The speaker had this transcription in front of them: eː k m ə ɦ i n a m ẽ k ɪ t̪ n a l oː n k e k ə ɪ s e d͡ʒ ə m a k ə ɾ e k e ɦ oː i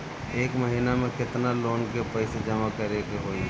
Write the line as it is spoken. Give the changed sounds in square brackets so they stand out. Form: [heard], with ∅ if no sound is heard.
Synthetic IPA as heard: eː k m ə ɦ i n a m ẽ k ɪ t̪ n a l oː n k e [p] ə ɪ s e d͡ʒ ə m a k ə ɾ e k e ɦ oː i

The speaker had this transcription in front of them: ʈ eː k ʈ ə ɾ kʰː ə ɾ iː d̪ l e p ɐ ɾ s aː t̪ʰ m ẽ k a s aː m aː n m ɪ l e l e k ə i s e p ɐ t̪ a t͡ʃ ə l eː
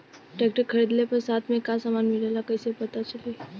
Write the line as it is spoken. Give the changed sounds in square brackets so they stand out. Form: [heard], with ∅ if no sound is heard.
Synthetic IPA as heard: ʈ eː k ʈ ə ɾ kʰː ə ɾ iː d̪ l e p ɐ ɾ s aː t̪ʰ m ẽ k a s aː m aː n m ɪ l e l [a] k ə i s e p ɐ t̪ a t͡ʃ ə l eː

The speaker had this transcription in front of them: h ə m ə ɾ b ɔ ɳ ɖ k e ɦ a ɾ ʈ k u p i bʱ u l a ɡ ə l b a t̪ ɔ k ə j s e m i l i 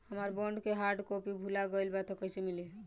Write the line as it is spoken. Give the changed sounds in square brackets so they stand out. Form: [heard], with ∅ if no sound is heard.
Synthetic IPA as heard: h ə m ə ɾ b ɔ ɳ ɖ k e ɦ a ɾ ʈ k [o] p i bʱ u l a ɡ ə l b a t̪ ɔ k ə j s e m i l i

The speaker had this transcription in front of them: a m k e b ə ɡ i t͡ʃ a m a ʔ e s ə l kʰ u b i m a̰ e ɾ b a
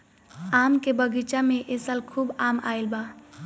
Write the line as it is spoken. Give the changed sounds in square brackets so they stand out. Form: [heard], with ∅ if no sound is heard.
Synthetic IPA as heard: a m k e b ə ɡ i t͡ʃ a m [e] ʔ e s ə l kʰ u b [a] m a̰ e [l] b a

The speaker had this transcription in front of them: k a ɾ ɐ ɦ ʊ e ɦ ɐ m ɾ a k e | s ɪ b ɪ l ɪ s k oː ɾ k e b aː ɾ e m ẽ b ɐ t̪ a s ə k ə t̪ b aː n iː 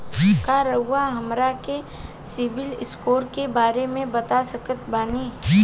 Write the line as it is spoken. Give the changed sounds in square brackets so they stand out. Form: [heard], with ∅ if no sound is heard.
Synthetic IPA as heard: k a ɾ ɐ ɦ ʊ [a] ɦ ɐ m ɾ a k e | s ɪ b ɪ l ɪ s k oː ɾ k e b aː ɾ e m ẽ b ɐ t̪ a s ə k ə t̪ b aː n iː

